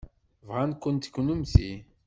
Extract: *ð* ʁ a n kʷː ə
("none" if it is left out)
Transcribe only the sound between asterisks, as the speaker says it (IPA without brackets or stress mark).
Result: v